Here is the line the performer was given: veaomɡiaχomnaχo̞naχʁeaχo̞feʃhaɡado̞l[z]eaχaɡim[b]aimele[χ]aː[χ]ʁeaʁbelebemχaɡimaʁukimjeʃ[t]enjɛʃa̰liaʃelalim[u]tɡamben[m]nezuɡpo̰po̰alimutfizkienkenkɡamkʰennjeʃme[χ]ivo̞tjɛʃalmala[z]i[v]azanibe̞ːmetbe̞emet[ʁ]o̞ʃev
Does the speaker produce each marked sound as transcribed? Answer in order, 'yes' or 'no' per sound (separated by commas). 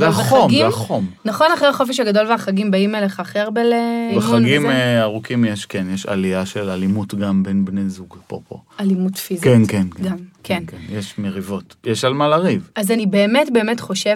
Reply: no, yes, yes, yes, no, yes, no, no, no, yes, no